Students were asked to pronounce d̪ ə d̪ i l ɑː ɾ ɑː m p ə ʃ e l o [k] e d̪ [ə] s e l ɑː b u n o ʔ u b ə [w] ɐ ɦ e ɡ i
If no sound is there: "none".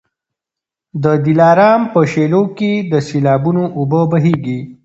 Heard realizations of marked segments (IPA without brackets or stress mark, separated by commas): k, ə, b